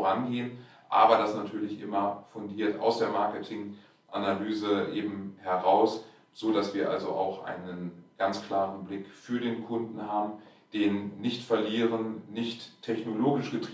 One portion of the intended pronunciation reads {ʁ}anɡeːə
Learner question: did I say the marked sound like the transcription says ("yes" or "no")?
yes